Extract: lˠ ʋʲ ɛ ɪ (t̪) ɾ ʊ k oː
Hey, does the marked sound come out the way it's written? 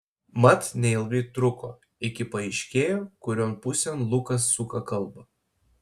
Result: yes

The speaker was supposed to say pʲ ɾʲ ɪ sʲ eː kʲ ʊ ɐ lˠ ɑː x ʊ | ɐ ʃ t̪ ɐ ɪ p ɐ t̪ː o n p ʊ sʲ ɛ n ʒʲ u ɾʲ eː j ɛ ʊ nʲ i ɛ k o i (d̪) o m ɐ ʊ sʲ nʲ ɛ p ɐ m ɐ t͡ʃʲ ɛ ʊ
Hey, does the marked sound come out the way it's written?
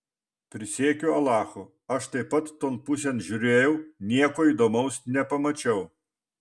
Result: yes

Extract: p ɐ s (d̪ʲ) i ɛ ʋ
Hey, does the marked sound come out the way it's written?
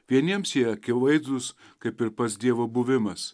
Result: yes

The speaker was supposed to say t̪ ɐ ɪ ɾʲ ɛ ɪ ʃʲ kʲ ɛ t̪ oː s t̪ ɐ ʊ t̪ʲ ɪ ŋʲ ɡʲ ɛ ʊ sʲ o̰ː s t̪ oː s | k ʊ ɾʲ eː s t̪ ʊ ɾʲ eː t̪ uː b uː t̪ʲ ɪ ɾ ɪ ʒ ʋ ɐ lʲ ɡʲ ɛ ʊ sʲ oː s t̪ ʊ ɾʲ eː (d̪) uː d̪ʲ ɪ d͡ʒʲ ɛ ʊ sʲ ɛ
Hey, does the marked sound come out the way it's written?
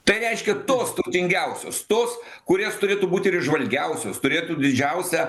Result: no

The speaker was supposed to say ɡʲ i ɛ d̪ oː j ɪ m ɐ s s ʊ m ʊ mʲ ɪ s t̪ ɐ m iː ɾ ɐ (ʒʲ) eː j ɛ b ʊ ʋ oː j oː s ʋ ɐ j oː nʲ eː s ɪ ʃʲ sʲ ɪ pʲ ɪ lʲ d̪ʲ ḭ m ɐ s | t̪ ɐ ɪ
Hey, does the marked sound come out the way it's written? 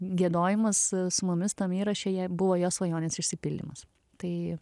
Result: no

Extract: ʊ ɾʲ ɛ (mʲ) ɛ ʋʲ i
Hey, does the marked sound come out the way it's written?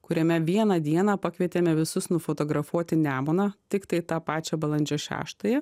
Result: yes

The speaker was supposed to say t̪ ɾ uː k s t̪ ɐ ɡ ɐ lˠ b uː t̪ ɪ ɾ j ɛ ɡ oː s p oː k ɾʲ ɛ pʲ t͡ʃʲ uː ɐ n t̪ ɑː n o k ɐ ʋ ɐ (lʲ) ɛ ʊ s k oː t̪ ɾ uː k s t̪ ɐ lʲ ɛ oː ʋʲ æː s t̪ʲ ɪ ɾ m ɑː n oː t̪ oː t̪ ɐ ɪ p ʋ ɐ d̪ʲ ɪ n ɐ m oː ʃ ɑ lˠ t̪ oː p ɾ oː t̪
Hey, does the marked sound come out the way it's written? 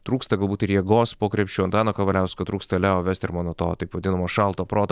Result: yes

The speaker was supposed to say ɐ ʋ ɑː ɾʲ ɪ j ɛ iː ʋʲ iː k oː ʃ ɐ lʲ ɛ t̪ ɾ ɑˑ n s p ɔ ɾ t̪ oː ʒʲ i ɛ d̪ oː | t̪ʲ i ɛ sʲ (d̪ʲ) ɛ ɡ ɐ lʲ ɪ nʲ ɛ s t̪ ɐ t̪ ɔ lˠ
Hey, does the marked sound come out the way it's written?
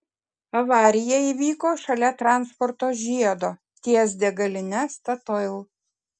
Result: yes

